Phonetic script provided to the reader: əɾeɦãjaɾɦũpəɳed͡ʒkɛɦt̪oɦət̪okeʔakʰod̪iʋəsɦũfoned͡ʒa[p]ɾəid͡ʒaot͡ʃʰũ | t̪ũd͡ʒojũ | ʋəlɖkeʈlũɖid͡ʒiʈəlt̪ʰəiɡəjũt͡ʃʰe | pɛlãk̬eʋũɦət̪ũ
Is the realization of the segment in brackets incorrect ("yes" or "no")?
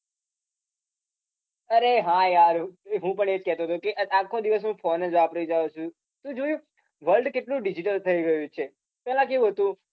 no